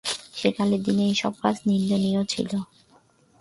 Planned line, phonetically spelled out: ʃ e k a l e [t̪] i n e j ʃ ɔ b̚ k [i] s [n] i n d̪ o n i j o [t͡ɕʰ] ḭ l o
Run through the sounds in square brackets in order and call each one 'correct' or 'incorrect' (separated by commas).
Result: incorrect, incorrect, correct, correct